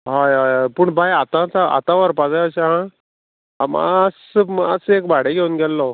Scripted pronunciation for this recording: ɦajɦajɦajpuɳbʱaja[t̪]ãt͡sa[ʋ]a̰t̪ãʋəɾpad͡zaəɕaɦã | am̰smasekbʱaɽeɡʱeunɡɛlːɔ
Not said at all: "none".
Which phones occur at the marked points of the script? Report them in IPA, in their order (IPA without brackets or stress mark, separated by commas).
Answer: t̪, none